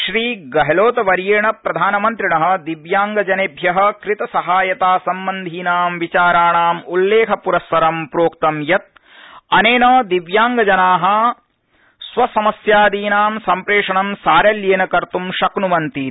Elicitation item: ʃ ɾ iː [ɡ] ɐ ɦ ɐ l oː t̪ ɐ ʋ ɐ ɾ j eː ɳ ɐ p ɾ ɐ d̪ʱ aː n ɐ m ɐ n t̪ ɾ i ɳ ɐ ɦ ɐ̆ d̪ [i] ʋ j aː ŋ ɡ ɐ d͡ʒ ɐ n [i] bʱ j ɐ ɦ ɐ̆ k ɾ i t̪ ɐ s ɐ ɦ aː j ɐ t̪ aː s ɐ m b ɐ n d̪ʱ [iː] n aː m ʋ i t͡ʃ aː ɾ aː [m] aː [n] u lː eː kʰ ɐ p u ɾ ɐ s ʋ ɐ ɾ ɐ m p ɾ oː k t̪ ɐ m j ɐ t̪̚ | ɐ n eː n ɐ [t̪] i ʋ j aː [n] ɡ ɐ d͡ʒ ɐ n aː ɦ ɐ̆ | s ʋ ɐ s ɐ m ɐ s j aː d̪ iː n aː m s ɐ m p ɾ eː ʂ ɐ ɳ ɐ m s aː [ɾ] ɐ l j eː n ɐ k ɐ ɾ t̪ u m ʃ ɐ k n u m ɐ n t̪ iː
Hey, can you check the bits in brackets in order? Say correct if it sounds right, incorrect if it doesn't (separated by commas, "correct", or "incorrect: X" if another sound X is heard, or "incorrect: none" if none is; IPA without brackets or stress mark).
correct, correct, incorrect: e, correct, incorrect: ɳ, incorrect: m, incorrect: d̪, incorrect: ŋ, correct